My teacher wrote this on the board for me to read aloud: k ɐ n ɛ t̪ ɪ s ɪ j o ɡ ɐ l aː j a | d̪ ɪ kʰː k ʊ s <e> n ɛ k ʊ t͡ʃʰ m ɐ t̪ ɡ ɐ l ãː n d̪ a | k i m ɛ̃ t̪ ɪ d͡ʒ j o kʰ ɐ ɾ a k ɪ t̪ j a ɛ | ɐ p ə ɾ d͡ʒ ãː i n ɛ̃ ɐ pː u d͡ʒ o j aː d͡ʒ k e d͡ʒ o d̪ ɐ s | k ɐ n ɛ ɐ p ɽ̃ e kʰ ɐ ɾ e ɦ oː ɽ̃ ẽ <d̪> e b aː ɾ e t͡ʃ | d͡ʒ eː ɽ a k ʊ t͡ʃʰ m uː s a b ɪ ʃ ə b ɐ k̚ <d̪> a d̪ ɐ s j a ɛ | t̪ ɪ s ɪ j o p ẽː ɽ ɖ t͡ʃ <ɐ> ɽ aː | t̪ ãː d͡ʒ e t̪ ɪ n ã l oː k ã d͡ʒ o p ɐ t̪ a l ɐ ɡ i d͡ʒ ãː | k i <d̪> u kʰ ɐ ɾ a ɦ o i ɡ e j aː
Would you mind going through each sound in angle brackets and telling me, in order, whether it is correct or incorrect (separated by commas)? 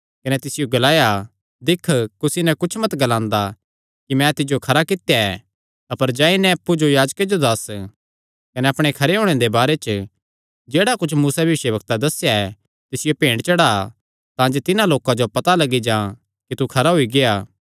incorrect, correct, incorrect, correct, incorrect